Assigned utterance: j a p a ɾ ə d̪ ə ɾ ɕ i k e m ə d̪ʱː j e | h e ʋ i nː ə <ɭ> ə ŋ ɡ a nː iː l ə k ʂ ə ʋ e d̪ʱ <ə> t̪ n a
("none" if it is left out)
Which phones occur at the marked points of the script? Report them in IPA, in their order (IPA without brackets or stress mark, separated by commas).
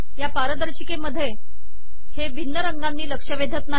ɾ, ə